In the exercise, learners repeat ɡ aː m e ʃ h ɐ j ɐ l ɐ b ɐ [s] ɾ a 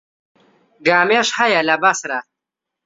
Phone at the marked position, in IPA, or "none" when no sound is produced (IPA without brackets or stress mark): s